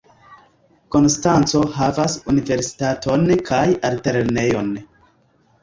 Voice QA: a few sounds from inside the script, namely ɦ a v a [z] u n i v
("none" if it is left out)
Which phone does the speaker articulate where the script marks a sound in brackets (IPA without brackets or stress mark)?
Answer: s